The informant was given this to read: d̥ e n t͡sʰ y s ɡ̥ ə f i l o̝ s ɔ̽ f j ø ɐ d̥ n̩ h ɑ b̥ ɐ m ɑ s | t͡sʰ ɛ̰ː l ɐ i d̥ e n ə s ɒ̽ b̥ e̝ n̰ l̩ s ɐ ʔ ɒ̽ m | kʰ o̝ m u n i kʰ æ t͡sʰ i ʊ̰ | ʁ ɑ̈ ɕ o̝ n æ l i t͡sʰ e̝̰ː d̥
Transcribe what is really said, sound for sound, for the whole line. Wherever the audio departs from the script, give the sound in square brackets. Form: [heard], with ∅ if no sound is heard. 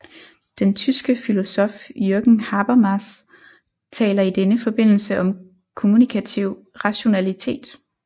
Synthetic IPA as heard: d̥ e n t͡sʰ y s ɡ̥ ə f i l o̝ s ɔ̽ f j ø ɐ [ɡ̥] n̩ h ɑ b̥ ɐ m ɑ s | t͡sʰ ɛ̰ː l ɐ i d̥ e n ə [f] ɒ̽ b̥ e̝ n̰ l̩ s [ə] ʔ ɒ̽ m | kʰ o̝ m u n i kʰ æ t͡sʰ i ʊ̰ | ʁ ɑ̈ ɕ o̝ n æ l i t͡sʰ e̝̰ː d̥